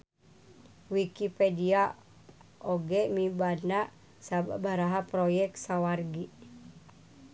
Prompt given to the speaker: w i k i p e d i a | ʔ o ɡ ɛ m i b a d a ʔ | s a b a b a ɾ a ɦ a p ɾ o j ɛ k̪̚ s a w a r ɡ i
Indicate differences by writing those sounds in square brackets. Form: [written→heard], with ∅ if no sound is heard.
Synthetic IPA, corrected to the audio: w i k i p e d i a | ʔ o ɡ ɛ m i b a [d→n] a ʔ | s a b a b a ɾ a ɦ a p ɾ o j ɛ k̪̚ s a w a r ɡ i